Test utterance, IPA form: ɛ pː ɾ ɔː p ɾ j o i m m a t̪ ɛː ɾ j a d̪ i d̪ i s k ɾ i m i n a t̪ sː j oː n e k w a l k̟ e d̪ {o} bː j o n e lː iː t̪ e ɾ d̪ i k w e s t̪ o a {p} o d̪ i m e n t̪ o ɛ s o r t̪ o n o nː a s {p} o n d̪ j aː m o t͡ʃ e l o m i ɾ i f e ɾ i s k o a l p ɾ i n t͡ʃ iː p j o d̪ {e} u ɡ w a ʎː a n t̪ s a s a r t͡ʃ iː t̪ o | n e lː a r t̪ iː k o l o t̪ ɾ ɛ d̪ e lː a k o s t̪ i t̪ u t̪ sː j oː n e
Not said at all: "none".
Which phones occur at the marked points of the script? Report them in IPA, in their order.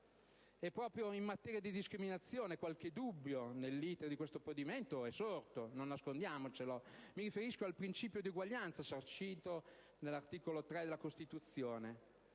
u, p, k, i

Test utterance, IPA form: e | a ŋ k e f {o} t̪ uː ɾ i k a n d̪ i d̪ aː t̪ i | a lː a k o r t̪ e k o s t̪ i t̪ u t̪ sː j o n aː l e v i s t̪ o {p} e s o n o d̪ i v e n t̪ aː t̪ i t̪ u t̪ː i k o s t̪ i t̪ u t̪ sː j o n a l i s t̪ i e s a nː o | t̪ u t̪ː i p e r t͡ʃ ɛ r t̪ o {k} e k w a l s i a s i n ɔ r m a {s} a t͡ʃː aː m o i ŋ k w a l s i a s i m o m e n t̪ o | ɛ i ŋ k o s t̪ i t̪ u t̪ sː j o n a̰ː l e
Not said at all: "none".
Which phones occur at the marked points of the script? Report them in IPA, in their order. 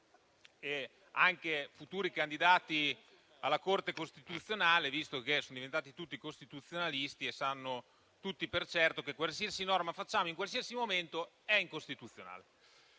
u, k, k, f

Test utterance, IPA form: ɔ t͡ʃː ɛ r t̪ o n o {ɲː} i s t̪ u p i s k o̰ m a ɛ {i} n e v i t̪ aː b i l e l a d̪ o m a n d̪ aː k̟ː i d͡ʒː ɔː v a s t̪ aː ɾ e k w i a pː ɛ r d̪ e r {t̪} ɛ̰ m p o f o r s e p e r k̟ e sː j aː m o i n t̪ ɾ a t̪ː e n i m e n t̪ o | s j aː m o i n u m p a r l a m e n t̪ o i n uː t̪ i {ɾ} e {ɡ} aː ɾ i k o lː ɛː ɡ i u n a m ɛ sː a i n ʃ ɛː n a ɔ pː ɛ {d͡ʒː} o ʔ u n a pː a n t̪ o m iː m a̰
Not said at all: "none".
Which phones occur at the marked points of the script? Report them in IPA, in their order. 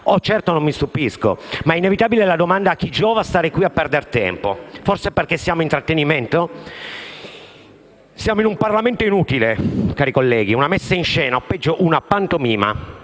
mː, i, t̪, l, k, d͡ʒː

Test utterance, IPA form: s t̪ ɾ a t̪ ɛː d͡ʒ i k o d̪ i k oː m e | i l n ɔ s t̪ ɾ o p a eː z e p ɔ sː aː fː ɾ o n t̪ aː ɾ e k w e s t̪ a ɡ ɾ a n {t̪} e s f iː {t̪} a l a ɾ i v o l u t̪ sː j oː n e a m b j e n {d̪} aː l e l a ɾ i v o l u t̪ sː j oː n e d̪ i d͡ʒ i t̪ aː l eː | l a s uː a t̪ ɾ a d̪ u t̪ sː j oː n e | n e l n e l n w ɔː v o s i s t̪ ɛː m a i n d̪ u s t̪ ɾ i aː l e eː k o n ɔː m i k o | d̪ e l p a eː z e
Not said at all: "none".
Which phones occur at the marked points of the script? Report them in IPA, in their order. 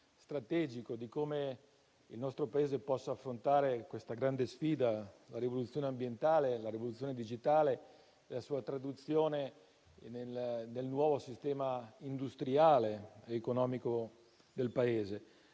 d̪, d̪, t̪

